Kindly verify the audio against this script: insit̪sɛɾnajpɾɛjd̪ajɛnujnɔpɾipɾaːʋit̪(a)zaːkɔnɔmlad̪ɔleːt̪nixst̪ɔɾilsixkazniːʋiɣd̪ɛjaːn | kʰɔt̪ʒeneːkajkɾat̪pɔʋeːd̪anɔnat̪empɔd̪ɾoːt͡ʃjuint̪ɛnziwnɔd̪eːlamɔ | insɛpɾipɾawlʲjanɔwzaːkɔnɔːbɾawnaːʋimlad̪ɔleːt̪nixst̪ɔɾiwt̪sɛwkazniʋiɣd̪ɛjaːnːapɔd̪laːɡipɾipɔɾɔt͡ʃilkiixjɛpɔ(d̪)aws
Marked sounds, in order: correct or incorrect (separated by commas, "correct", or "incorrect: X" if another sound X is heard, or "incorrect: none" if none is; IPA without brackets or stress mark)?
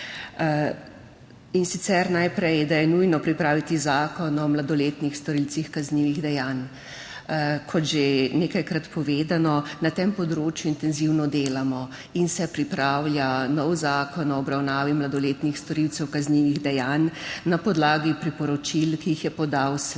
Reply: incorrect: i, correct